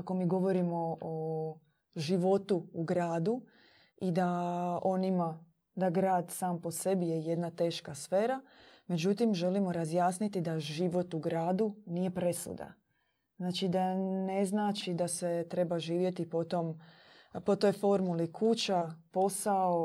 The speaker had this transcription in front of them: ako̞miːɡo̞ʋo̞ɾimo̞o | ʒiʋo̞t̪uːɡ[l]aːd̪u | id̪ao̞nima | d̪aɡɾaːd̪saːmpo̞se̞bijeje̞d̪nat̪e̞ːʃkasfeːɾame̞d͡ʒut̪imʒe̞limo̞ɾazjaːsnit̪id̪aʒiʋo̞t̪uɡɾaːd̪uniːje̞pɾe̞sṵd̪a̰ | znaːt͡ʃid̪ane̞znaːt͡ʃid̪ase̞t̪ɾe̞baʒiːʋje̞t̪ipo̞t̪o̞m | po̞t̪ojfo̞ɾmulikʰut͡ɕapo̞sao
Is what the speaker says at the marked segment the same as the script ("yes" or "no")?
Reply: no